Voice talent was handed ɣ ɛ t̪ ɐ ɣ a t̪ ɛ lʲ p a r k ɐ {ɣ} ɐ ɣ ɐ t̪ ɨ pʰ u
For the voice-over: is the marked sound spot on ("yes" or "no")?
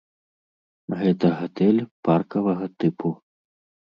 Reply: no